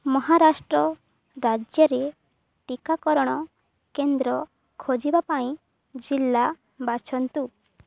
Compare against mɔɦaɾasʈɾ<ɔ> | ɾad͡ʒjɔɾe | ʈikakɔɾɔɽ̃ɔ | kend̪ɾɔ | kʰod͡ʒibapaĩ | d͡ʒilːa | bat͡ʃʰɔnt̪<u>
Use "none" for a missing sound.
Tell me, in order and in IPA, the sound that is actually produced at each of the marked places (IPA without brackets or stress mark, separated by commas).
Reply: ɔ, u